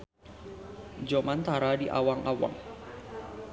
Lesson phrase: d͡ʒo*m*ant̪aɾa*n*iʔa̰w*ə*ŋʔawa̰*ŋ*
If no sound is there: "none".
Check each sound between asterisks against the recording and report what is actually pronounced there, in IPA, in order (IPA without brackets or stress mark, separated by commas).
m, d, a, ŋ